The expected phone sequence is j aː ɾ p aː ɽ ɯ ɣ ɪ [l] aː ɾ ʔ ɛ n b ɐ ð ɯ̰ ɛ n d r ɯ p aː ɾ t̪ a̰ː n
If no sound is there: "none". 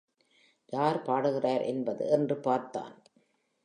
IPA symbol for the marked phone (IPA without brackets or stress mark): r